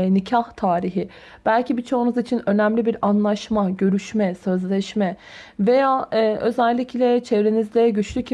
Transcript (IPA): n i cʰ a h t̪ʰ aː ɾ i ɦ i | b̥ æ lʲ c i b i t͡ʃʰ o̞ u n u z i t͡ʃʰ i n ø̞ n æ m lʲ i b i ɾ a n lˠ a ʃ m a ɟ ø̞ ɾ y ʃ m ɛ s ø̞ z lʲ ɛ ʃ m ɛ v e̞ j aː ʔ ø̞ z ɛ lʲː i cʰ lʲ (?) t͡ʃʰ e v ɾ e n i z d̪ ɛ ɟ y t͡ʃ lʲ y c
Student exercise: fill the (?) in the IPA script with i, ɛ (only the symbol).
ɛ